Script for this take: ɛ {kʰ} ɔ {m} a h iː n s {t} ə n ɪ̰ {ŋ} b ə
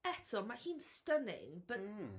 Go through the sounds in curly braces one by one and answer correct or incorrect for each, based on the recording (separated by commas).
incorrect, correct, correct, correct